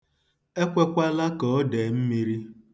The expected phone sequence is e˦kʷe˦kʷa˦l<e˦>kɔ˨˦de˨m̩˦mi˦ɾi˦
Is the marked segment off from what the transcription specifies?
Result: yes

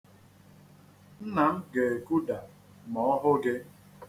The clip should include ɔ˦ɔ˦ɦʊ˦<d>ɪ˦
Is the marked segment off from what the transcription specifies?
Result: yes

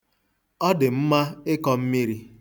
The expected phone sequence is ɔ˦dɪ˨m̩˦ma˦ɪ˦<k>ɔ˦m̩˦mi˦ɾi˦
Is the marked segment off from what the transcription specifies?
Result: no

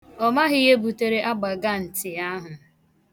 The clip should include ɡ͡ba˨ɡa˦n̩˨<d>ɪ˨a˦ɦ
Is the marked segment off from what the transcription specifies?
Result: yes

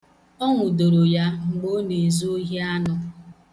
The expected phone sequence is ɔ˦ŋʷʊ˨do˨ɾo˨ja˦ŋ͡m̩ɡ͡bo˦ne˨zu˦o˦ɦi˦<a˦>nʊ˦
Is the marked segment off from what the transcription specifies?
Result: no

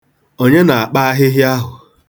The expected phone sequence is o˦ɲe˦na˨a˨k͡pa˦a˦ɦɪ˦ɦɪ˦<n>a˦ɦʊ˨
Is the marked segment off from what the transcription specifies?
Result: yes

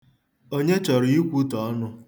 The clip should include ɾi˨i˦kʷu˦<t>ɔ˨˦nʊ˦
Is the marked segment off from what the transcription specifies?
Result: no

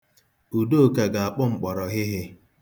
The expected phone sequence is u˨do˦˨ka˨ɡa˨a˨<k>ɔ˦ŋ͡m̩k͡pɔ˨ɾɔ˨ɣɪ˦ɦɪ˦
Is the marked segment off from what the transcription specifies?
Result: yes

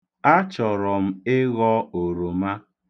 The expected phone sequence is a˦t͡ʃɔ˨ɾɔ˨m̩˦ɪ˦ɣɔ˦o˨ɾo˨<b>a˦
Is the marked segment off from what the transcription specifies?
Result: yes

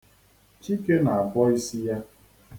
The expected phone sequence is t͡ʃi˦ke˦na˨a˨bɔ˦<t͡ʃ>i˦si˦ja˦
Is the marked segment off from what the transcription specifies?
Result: yes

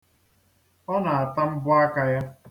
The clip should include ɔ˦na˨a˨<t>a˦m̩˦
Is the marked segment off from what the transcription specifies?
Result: no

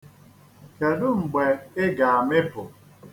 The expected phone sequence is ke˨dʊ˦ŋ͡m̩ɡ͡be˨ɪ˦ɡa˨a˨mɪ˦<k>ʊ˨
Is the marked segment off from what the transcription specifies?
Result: yes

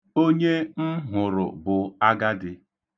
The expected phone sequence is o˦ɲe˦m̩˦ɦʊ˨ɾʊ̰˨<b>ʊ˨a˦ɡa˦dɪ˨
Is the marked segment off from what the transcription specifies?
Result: no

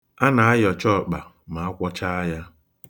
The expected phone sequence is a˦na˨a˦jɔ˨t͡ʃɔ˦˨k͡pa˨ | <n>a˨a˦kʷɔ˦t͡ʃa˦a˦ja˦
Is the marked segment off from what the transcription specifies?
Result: yes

